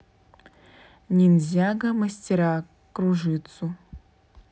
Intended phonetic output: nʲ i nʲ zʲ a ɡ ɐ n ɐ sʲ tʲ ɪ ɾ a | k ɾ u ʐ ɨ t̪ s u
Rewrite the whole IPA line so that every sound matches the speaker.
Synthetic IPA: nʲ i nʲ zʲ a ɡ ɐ m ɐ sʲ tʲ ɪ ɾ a | k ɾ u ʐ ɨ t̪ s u

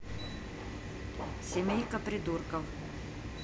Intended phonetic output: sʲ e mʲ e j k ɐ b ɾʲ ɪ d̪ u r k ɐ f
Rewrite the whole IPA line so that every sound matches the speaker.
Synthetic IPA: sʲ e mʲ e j k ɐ p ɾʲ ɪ d̪ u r k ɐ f

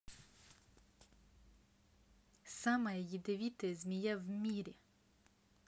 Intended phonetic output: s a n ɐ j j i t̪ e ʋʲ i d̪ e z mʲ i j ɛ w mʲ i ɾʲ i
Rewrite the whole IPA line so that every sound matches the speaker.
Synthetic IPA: s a m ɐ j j i d̪ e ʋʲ i t̪ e z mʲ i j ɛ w mʲ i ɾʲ i

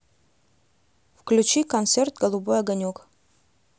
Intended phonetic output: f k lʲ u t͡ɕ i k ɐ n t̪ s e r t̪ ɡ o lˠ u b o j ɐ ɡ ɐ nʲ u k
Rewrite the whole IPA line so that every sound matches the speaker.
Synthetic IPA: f k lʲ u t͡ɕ i k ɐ n t̪ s e r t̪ ɡ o lˠ u b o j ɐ ɡ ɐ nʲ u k

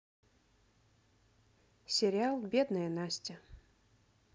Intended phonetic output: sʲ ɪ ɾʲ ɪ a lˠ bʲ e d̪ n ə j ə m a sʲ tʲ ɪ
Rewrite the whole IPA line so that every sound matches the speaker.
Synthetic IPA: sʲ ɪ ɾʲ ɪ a lˠ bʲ e d̪ n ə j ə n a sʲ tʲ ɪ

